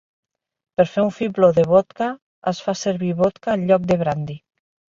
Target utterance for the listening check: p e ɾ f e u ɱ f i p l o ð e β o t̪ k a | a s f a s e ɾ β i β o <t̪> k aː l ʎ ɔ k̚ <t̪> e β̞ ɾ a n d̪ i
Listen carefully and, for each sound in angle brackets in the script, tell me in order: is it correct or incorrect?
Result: correct, incorrect: d̪

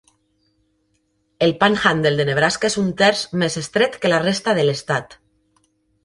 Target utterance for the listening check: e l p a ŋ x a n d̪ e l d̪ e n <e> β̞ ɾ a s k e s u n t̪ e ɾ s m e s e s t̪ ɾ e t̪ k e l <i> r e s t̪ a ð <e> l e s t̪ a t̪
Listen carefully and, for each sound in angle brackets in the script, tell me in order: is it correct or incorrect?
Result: correct, incorrect: a, correct

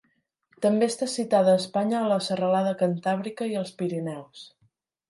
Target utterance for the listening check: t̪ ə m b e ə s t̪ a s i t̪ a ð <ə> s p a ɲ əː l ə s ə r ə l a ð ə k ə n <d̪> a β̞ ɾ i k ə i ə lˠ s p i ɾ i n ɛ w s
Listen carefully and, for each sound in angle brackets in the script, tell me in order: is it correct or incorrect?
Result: incorrect: əː, incorrect: t̪

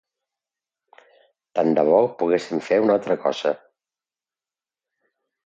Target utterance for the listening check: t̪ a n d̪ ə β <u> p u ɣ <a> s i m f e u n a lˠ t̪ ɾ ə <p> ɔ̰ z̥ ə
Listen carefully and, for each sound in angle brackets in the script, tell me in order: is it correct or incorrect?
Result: incorrect: ɔ, incorrect: e, incorrect: k

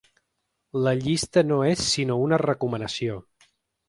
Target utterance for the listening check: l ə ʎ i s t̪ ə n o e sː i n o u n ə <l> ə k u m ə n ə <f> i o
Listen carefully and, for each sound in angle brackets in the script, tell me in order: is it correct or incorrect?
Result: incorrect: r, incorrect: s

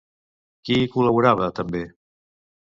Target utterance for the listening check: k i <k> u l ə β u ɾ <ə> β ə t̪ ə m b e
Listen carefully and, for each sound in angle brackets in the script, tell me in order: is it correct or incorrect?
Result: correct, incorrect: a

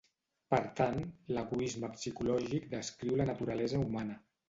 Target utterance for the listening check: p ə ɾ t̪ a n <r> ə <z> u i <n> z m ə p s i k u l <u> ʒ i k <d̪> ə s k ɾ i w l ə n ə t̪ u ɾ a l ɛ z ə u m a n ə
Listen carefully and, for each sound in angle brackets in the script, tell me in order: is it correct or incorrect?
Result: incorrect: l, incorrect: ɣ, incorrect: none, incorrect: ɔ, correct

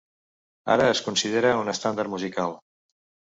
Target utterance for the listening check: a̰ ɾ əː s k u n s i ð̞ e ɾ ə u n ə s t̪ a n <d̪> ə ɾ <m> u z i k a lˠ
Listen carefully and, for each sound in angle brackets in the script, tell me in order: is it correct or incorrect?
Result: correct, correct

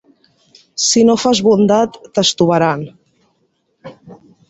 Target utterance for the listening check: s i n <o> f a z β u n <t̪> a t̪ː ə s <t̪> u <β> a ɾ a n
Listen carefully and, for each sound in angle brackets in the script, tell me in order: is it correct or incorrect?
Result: correct, incorrect: d̪, correct, correct

